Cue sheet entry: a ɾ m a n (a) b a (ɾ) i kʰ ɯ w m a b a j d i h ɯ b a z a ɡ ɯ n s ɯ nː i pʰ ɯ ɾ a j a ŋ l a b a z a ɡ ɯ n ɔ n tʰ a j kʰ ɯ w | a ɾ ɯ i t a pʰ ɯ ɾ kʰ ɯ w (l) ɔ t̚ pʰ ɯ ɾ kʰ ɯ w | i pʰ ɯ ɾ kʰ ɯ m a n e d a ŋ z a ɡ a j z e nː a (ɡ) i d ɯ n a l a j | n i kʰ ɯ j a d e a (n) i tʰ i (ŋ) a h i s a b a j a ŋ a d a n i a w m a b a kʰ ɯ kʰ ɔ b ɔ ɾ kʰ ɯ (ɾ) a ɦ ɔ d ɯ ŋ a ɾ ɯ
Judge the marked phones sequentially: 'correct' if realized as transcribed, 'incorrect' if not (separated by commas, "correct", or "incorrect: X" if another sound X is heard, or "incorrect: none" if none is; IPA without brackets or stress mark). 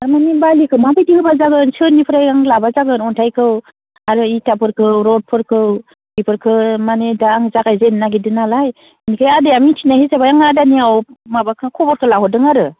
incorrect: i, incorrect: l, incorrect: ɾ, correct, incorrect: m, incorrect: n, incorrect: l